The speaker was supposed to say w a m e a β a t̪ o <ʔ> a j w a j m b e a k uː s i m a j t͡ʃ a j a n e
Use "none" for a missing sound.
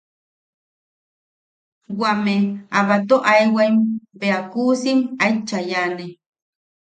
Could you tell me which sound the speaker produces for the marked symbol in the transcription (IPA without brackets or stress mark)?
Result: ʔ